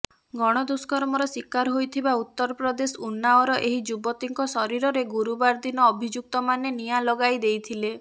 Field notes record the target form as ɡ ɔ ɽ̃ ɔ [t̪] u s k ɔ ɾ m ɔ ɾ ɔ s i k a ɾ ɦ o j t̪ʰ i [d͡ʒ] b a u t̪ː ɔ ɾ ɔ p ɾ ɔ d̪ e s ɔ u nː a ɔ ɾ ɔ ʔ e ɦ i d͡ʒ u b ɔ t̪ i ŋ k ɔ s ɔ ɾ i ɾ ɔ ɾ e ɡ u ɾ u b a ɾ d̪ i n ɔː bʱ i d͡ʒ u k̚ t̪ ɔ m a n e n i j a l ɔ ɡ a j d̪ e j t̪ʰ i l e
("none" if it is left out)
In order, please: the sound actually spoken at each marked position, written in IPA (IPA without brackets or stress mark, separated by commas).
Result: d̪, none